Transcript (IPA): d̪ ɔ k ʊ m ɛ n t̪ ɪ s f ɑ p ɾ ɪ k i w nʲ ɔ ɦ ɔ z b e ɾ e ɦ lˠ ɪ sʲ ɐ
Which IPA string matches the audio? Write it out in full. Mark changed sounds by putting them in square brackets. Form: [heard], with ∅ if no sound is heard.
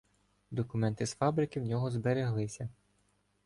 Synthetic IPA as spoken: d̪ ɔ k ʊ m ɛ n t̪ ɪ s f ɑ [b] ɾ ɪ k [ɪ] w nʲ ɔ ɦ ɔ z b e ɾ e ɦ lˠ ɪ sʲ ɐ